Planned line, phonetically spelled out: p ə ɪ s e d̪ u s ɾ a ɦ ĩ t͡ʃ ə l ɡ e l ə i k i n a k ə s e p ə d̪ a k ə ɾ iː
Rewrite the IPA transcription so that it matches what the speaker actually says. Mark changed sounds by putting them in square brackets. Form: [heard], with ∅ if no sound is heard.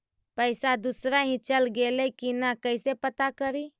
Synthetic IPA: p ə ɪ s [a] d̪ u s ɾ a ɦ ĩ t͡ʃ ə l ɡ e l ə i k i n a k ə s e p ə [t̪] a k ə ɾ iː

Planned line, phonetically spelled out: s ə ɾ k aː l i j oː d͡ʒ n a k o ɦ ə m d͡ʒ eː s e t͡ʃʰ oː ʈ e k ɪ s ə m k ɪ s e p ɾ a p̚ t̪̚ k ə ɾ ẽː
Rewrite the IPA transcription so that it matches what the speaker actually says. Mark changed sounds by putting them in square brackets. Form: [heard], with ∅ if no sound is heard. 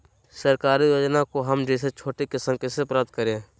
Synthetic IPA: s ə ɾ k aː [ɾ] i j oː d͡ʒ n a k o ɦ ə m d͡ʒ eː s e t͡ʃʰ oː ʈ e k ɪ s ə m k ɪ s e p ɾ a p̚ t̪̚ k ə ɾ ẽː

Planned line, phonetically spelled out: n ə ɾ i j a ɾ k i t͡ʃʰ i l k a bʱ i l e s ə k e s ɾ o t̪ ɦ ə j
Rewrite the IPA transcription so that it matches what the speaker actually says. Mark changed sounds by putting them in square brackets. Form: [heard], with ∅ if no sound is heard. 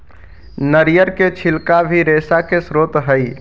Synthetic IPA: n ə ɾ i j [ə] ɾ k [e] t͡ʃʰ i l k a bʱ i [ɾ] e s [a] k e s ɾ o t̪ ɦ ə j

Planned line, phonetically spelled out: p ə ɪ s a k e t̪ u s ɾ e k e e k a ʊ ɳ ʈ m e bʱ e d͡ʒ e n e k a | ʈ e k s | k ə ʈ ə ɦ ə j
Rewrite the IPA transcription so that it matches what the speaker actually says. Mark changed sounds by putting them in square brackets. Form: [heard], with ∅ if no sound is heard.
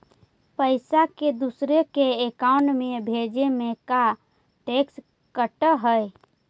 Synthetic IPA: p ə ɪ s a k e [d̪] u s ɾ e k e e k a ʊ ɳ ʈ m e bʱ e d͡ʒ e [m] e k a | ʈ e k s | k ə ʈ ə ɦ ə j

